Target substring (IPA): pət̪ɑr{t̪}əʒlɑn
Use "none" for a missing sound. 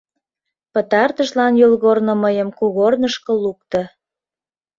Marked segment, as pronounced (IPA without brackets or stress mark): t̪